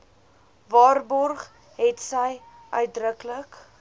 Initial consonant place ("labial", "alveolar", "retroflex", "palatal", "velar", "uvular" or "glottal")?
labial